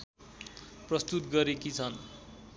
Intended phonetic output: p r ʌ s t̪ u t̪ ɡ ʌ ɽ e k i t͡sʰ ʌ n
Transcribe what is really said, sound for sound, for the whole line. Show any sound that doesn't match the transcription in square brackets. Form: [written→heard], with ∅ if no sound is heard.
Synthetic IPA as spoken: p r ʌ s t̪ u t̪ ɡ ʌ [ɽ→ɾ] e k i t͡sʰ ʌ n